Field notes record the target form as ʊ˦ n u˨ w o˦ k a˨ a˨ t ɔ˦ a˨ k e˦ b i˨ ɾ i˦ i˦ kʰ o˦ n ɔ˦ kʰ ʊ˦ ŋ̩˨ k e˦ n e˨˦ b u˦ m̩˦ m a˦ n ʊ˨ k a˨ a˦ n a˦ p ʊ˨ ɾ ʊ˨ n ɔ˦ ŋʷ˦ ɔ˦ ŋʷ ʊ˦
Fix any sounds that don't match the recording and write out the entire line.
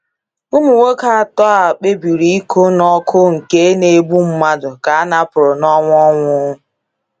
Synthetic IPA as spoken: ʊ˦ m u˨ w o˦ k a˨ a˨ t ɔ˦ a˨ k͡p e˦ b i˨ ɾ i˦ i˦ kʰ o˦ n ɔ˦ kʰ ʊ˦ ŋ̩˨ k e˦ n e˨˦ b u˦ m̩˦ m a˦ d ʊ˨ k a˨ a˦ n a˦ p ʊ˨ ɾ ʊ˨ n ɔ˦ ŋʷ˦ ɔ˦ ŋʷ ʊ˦